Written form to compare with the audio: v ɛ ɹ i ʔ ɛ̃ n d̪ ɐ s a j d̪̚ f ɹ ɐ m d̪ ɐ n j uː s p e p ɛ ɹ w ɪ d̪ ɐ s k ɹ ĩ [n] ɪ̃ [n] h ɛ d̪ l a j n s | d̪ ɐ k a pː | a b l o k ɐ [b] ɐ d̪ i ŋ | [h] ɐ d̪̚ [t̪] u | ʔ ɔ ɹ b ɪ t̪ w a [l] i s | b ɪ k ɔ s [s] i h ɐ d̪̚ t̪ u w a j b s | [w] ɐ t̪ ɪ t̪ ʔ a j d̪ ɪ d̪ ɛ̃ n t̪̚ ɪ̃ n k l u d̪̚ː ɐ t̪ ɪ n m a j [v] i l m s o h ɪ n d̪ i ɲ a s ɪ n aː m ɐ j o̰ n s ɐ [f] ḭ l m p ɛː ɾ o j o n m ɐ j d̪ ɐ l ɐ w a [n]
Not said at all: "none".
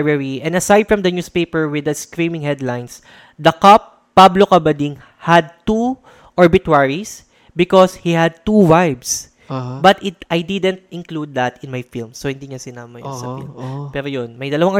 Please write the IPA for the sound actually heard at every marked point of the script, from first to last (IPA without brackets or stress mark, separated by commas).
m, ŋ, b, h, t̪, ɹ, h, b, f, f, ŋ